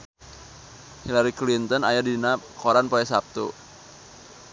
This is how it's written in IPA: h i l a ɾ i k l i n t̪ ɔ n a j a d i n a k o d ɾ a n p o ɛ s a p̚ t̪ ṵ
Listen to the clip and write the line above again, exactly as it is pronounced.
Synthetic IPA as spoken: h i l a ɾ i k l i n t̪ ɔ n a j a d i n a k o ɾ a n p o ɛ s a p̚ t̪ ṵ